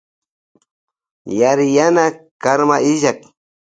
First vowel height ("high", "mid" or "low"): low